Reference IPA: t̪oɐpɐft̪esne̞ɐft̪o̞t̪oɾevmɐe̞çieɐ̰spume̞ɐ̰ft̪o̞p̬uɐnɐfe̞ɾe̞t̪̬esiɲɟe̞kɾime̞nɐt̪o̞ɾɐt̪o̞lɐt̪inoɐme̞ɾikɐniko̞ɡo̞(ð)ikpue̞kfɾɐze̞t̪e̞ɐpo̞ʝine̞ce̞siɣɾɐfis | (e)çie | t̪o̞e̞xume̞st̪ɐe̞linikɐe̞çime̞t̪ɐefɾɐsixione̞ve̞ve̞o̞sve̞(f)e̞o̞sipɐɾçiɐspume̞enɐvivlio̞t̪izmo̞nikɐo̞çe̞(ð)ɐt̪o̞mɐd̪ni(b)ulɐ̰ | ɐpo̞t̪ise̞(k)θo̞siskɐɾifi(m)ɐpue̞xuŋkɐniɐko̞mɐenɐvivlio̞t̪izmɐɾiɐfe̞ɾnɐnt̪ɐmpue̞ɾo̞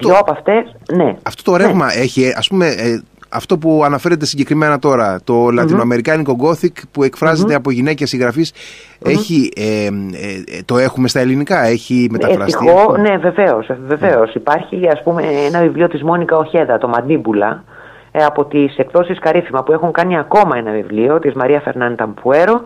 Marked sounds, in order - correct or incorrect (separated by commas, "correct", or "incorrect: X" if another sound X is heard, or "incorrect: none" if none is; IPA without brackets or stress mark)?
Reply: incorrect: θ, correct, incorrect: v, correct, correct, correct, correct